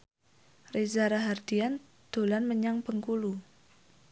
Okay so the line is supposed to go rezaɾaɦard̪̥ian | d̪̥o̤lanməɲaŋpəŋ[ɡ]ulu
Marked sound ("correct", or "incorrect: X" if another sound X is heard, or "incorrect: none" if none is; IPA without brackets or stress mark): incorrect: k